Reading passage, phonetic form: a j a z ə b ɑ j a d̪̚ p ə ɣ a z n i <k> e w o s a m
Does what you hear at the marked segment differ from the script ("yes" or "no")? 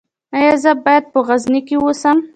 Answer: no